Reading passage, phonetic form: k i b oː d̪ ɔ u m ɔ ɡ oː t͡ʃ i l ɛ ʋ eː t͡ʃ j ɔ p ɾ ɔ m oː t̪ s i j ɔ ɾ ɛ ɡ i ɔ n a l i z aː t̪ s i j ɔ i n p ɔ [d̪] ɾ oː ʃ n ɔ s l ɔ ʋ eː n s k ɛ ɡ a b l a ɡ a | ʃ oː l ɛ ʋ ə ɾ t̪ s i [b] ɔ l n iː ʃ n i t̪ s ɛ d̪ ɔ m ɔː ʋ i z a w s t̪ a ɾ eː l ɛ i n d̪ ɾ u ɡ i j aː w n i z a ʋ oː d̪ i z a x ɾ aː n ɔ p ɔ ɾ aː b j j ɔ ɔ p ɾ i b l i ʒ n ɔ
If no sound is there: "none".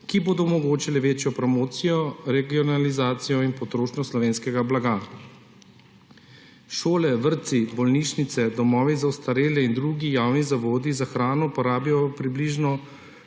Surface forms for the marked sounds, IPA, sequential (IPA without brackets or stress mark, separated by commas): t̪, b